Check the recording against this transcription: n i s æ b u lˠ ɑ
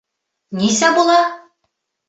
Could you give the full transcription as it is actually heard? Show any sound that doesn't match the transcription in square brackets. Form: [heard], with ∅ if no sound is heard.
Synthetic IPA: n i s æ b u lˠ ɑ